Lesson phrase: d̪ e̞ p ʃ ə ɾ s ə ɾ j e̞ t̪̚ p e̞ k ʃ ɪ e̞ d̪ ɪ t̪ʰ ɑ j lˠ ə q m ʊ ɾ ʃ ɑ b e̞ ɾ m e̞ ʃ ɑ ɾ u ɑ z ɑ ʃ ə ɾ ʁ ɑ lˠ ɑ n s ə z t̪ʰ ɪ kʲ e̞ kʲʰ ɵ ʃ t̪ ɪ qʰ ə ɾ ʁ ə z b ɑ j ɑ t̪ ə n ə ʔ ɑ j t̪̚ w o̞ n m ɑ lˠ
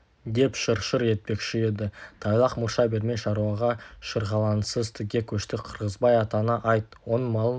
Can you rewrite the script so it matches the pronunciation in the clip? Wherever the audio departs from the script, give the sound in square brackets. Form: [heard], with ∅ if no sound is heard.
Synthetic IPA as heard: d̪ e̞ p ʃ ə ɾ [ʃ] ə ɾ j e̞ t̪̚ p e̞ k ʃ ɪ e̞ d̪ ɪ t̪ʰ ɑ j lˠ [ɑ] q m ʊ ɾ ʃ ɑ b e̞ ɾ m e̞ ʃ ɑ ɾ u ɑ [ʁ] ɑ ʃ ə ɾ ʁ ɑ lˠ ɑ n s ə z t̪ʰ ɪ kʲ e̞ kʲʰ ɵ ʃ t̪ ɪ qʰ ə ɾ ʁ ə z b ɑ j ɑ t̪ [ɑ] n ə ʔ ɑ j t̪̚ w o̞ n m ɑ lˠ

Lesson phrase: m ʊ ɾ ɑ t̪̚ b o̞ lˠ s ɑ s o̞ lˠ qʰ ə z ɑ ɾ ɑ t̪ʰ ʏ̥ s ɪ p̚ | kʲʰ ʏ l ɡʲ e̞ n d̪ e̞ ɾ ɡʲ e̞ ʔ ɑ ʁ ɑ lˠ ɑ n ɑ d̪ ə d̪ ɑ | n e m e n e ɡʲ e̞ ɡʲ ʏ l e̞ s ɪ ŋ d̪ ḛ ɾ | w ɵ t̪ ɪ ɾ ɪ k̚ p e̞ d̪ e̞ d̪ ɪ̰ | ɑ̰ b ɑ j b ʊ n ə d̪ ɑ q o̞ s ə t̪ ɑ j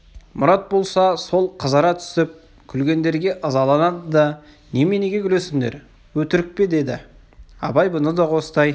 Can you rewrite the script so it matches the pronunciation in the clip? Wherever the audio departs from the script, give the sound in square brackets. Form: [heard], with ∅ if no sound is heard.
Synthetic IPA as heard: m ʊ ɾ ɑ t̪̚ b o̞ lˠ s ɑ s o̞ lˠ qʰ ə z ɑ ɾ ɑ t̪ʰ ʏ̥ s ɪ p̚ | kʲʰ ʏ l ɡʲ e̞ n d̪ e̞ ɾ ɡʲ e̞ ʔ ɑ [z] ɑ lˠ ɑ n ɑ d̪ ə d̪ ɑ | n e m e n e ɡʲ e̞ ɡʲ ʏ l e̞ s ɪ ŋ d̪ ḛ ɾ | w ɵ t̪ ɪ ɾ ɪ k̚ p e̞ d̪ e̞ d̪ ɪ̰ | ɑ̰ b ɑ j b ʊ n ə d̪ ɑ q o̞ s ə t̪ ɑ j

